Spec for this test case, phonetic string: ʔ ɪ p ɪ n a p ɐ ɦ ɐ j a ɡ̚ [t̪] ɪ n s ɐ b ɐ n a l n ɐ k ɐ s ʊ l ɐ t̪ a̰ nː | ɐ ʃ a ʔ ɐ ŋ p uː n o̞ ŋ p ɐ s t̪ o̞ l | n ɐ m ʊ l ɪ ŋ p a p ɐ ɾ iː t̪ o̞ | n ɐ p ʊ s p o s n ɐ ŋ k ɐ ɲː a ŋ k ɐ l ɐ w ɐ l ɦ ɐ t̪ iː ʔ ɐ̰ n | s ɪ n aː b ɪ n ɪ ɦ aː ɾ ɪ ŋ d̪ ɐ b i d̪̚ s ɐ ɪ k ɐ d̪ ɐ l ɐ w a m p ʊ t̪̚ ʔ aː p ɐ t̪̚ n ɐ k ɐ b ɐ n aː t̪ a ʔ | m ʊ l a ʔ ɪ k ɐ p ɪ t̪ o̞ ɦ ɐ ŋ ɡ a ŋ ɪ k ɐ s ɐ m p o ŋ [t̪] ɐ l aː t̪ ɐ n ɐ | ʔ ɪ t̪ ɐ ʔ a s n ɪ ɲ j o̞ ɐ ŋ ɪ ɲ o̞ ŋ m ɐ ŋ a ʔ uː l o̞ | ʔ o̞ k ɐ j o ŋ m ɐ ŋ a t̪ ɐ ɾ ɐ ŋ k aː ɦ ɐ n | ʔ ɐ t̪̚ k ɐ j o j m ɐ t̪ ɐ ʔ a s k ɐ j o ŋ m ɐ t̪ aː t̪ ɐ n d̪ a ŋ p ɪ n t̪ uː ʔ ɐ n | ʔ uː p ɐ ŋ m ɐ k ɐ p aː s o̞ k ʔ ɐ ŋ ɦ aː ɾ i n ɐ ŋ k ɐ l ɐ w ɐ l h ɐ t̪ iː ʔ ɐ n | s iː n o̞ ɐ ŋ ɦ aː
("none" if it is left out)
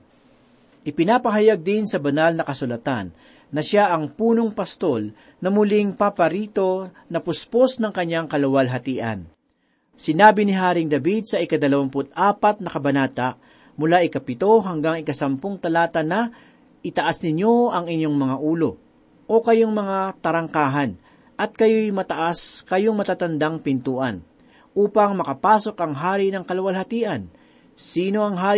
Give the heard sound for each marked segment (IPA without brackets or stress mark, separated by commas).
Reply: d̪, t̪